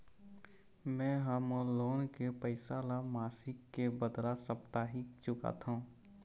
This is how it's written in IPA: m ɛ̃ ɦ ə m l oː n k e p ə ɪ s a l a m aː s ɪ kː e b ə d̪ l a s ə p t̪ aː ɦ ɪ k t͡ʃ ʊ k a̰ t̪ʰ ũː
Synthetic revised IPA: m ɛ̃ ɦ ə m l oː n k e p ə ɪ s a l a m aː s ɪ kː e b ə d̪ l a s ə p t̪ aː ɦ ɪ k t͡ʃ ʊ k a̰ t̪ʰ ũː